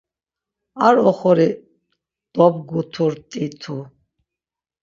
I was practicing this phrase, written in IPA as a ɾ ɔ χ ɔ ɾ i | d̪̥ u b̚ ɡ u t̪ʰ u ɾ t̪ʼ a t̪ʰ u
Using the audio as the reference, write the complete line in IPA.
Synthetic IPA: a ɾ ɔ χ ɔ ɾ i | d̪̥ ɔ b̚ ɡ u t̪ʰ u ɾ t̪ʼ i t̪ʰ u